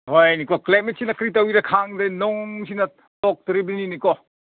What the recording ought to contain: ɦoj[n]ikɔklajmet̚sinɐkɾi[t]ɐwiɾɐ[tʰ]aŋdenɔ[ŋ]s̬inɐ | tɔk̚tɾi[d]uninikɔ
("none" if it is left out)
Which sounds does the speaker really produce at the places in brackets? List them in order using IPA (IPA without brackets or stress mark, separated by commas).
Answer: n, t, kʰ, ŋ, b